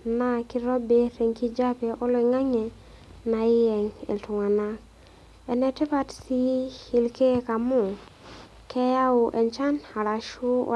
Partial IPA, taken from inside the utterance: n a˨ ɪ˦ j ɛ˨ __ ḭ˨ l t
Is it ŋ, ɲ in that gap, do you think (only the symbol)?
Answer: ŋ